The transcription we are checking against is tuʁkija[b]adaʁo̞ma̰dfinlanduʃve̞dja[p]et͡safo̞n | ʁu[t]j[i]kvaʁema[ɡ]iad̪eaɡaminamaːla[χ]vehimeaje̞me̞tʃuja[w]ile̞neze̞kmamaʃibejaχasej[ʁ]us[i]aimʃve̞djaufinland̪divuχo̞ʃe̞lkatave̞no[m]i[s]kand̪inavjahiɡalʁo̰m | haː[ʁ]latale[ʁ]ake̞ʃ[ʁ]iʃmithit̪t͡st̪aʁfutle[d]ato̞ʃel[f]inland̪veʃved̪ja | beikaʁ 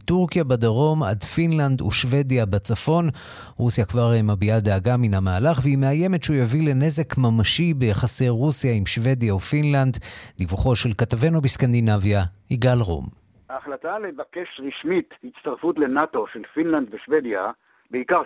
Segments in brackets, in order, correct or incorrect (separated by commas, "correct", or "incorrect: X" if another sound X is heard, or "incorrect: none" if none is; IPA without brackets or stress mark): correct, incorrect: b, incorrect: s, incorrect: a, incorrect: b, correct, incorrect: v, correct, incorrect: j, incorrect: b, correct, incorrect: χ, incorrect: v, correct, incorrect: n, correct